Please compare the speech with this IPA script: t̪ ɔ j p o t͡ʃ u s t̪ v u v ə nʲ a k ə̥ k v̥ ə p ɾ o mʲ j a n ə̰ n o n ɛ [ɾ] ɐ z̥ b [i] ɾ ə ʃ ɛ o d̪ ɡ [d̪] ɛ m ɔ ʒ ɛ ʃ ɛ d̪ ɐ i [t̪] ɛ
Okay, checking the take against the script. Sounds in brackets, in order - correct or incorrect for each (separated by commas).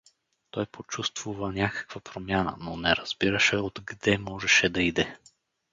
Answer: correct, correct, correct, incorrect